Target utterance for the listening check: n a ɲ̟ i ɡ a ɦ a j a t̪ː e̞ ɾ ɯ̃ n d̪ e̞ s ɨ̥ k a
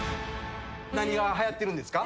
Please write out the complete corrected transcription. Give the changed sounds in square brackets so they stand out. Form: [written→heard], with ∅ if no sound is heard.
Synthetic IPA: n a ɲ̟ i ɡ a ɦ a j a t̪ː e̞ ɾ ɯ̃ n d̪ e̞ s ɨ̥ k a